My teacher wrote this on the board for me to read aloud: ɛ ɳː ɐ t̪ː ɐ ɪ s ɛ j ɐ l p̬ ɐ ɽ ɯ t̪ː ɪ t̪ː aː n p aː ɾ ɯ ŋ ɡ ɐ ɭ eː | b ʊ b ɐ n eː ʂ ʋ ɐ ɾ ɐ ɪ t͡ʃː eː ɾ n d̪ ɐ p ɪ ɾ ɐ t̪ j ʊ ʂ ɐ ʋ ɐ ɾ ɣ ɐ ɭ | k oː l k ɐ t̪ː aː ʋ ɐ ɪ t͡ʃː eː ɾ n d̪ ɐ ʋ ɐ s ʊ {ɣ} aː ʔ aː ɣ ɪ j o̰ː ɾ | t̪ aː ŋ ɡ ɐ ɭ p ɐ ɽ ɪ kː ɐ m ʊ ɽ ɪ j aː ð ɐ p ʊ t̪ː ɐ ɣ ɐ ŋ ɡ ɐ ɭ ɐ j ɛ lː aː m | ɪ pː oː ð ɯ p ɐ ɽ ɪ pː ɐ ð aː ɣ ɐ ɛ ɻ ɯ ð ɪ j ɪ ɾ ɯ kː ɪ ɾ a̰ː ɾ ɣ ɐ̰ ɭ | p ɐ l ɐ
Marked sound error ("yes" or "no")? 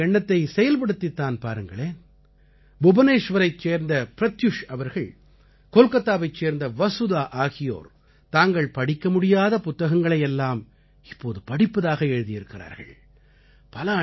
yes